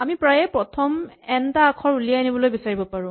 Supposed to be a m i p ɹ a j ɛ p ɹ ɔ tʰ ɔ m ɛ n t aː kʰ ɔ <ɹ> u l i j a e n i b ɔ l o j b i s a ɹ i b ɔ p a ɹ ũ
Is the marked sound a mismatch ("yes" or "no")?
no